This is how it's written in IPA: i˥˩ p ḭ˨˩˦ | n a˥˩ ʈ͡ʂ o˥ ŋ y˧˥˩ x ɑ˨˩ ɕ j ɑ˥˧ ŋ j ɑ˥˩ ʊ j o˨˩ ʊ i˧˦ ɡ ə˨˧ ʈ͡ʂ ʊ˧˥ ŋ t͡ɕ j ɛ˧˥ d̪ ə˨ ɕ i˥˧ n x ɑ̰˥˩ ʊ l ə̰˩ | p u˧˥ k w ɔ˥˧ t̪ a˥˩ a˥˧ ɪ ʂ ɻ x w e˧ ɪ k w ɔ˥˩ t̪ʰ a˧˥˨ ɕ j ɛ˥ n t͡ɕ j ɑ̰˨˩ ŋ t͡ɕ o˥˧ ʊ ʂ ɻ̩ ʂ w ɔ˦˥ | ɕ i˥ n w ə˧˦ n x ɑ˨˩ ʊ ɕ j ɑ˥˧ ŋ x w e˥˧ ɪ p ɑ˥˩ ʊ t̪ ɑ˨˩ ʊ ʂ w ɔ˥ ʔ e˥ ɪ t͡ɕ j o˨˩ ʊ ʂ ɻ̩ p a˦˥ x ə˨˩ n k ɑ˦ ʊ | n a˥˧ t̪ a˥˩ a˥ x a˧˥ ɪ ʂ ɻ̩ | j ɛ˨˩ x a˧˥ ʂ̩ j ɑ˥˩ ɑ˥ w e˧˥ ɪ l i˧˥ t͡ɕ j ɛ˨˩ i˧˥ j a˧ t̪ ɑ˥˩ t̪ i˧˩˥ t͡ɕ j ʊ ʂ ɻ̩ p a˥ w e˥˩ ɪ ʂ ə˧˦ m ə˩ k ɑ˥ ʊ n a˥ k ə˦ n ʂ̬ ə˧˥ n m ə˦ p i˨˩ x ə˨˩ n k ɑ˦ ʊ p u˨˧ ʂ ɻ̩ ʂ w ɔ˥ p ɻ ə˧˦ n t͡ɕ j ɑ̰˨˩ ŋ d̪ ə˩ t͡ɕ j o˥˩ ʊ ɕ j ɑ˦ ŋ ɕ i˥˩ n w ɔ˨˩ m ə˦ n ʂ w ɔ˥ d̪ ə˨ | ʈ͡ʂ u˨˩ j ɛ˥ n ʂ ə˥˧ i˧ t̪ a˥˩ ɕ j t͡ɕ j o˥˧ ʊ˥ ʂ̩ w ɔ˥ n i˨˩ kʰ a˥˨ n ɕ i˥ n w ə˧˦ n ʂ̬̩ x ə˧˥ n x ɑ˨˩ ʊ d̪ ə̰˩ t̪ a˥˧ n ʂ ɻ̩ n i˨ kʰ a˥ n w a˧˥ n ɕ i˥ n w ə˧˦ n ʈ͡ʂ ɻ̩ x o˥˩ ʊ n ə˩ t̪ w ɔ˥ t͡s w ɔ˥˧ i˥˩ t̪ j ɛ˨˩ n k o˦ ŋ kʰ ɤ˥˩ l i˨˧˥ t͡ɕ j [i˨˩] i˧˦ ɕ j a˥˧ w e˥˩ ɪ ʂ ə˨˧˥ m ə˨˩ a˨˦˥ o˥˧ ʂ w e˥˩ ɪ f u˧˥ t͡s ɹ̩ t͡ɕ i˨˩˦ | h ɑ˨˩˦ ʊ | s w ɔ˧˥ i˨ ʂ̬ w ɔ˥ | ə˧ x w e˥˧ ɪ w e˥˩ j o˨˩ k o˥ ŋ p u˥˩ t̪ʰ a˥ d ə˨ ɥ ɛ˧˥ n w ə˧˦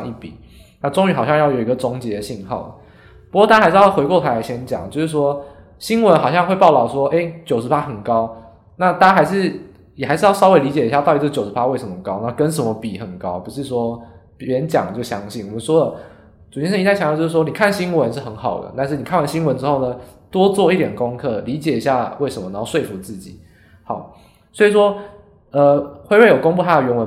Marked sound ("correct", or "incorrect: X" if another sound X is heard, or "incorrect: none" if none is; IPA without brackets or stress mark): incorrect: ɛ˨˩